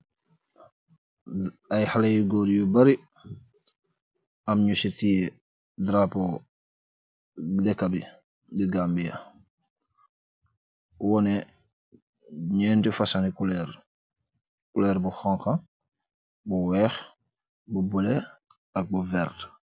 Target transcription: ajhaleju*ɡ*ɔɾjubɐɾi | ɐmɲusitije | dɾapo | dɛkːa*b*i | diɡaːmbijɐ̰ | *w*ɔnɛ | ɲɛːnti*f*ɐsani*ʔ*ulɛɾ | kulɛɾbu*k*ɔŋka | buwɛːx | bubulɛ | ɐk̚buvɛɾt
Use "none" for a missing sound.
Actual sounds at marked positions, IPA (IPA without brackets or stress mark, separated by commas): ɡ, b, w, f, k, x